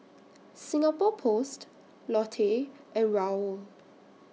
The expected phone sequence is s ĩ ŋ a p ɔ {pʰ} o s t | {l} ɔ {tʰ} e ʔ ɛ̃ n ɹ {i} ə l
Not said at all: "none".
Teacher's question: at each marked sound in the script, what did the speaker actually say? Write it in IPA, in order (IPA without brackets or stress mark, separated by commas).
pʰ, l, tʰ, a